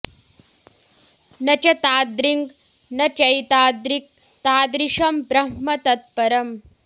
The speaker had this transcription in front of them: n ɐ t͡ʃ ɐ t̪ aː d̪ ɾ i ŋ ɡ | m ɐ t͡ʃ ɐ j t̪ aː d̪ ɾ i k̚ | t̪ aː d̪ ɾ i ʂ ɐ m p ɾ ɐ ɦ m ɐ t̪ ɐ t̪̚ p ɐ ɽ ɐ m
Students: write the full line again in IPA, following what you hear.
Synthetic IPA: n ɐ t͡ʃ ɐ t̪ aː d̪ ɾ i ŋ ɡ | n ɐ t͡ʃ ɐ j t̪ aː d̪ ɾ i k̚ | t̪ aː d̪ ɾ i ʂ ɐ m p ɾ ɐ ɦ m ɐ t̪ ɐ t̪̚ p ɐ ɾ ɐ m

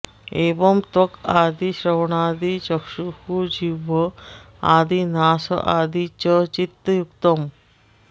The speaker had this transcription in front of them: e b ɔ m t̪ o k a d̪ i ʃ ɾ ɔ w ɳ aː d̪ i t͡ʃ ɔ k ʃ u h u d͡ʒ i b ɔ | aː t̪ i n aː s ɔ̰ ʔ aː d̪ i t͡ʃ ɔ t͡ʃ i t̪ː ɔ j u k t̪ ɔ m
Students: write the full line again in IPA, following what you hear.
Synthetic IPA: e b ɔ m t̪ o k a d̪ i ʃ ɾ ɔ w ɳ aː d̪ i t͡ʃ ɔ k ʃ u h u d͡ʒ i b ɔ | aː d̪ i n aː s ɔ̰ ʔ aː d̪ i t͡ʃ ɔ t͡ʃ i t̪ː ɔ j u k t̪ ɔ m

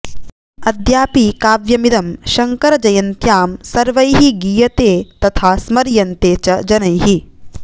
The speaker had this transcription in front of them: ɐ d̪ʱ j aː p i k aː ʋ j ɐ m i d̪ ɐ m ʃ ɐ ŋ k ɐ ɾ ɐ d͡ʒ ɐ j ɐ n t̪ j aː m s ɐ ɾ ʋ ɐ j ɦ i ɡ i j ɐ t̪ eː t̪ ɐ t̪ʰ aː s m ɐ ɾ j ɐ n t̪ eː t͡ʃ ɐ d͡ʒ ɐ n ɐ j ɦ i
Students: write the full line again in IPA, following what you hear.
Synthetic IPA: ɐ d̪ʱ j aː p i k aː ʋ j ɐ m i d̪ ɐ m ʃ ɐ ŋ k ɐ ɾ ɐ d͡ʒ ɐ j ɐ n t̪ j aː m s ɐ ɾ ʋ ɐ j ɦ i ɡ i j ɐ t̪ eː t̪ ɐ t̪ʰ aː s m ɐ ɾ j ɐ n t̪ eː t͡ʃ ɐ d͡ʒ ɐ n ɐ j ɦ i

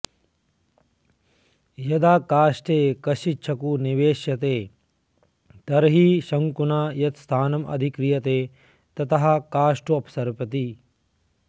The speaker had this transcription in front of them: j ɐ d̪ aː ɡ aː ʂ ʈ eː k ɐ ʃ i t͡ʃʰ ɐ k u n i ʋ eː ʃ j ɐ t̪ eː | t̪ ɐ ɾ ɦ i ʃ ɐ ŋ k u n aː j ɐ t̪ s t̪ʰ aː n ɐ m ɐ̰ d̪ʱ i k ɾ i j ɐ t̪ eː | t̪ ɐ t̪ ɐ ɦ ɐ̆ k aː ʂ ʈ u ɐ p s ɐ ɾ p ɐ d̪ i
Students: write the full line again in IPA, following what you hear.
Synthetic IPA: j ɐ d̪ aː k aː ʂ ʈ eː k ɐ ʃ i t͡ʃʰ ɐ k u n i ʋ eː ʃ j ɐ t̪ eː | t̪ ɐ ɾ ɦ i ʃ ɐ ŋ k u n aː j ɐ t̪ s t̪ʰ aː n ɐ m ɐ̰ d̪ʱ i k ɾ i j ɐ t̪ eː | t̪ ɐ t̪ ɐ ɦ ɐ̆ k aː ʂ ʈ u ɐ p s ɐ ɾ p ɐ t̪ i

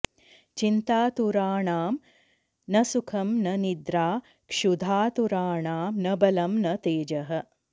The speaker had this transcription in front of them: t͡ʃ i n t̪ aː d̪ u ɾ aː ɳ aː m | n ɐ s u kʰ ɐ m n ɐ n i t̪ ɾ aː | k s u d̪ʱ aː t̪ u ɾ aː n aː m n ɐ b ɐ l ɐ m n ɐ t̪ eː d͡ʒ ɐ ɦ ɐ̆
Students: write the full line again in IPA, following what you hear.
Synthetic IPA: t͡ʃ i n t̪ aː t̪ u ɾ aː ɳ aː m | n ɐ s u kʰ ɐ m n ɐ n i d̪ ɾ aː | k ʂ u d̪ʱ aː t̪ u ɾ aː ɳ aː m n ɐ b ɐ l ɐ m n ɐ t̪ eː d͡ʒ ɐ ɦ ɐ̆

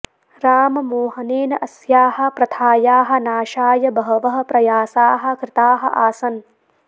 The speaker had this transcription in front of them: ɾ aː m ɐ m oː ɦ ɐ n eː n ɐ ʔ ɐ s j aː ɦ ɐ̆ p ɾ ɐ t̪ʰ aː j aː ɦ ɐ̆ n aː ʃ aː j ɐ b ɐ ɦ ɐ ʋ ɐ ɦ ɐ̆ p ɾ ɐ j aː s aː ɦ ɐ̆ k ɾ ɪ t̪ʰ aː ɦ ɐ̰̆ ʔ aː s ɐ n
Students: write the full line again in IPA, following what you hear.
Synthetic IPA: ɾ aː m ɐ m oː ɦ ɐ n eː n ɐ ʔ ɐ s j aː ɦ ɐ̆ p ɾ ɐ t̪ʰ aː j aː ɦ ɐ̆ n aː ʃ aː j ɐ b ɐ ɦ ɐ ʋ ɐ ɦ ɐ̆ p ɾ ɐ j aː s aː ɦ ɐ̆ k ɾ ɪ t̪ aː ɦ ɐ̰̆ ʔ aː s ɐ n

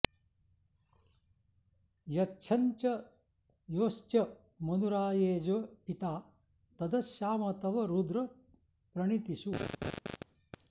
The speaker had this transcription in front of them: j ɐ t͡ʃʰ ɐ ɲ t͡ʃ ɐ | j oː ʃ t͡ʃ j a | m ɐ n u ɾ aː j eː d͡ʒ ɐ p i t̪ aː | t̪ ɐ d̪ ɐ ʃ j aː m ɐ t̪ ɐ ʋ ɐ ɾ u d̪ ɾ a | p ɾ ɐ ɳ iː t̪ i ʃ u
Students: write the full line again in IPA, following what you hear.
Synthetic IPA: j ɐ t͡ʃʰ ɐ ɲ t͡ʃ ɐ | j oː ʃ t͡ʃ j ɐ | m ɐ n u ɾ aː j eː d͡ʒ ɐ p i t̪ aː | t̪ ɐ d̪ ɐ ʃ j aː m ɐ t̪ ɐ ʋ ɐ ɾ u d̪ ɾ ɐ | p ɾ ɐ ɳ i t̪ i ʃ u

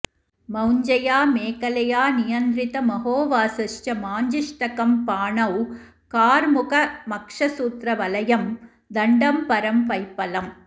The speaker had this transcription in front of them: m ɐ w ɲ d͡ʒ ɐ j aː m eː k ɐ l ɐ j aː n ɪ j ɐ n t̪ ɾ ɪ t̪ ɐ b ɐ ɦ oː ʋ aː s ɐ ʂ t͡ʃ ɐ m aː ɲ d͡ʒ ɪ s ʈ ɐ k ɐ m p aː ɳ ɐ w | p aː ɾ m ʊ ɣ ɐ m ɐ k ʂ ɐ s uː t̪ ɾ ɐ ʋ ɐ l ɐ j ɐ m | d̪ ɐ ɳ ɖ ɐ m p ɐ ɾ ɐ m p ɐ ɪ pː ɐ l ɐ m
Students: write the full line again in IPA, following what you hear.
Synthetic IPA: m ɐ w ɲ d͡ʒ ɐ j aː m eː k ɐ l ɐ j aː n ɪ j ɐ n d̪ ɾ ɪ t̪ ɐ m ɐ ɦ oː ʋ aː s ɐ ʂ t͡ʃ ɐ m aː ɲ d͡ʒ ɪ ʂ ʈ ɐ k ɐ m p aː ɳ ɐ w | k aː ɾ m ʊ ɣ ɐ m ɐ k ʂ ɐ s uː t̪ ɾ ɐ ʋ ɐ l ɐ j ɐ m | d̪ ɐ ɳ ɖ ɐ m p ɐ ɾ ɐ m p ɐ ɪ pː ɐ l ɐ m

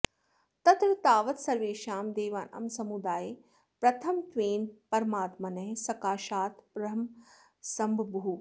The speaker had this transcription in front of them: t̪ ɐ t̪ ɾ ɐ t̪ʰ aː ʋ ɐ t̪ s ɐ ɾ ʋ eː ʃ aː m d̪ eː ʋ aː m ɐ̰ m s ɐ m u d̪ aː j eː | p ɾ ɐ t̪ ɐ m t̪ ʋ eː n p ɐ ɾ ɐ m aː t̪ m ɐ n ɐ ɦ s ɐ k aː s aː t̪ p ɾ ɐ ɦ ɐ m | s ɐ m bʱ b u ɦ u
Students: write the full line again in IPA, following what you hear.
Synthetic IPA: t̪ ɐ t̪ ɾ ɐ t̪ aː ʋ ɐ t̪ s ɐ ɾ ʋ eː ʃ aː m d̪ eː ʋ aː n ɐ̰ m s ɐ m u d̪ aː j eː | p ɾ ɐ t̪ʰ ɐ m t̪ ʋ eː n p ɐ ɾ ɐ m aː t̪ m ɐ n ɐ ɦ s ɐ k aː ʃ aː t̪ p ɾ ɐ ɦ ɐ m | s ɐ m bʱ b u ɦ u

